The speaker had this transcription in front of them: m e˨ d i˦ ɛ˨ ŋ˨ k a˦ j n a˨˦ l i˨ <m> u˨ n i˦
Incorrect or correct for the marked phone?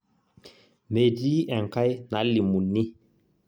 correct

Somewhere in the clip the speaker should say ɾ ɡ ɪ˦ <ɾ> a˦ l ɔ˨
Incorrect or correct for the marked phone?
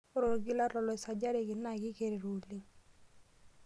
incorrect: l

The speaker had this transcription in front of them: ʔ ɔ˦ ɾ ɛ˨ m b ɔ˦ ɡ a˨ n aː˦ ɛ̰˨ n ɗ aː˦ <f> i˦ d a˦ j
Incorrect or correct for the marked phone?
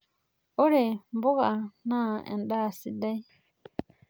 incorrect: s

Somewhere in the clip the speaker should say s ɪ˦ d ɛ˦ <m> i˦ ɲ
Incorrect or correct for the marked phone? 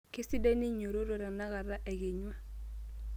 incorrect: n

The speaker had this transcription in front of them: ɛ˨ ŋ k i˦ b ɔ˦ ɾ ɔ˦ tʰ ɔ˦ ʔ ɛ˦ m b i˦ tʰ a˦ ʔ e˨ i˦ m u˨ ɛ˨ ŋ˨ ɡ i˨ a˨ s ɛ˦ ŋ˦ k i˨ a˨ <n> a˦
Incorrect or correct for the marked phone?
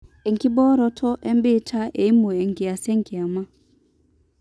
incorrect: m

